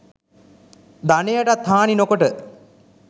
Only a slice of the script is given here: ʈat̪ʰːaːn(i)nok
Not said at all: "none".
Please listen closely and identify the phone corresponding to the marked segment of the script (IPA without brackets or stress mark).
i